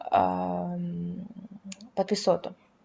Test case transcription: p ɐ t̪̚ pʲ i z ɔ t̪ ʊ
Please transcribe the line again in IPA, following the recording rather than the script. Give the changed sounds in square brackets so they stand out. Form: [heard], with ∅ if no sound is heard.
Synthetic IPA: p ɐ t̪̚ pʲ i [s] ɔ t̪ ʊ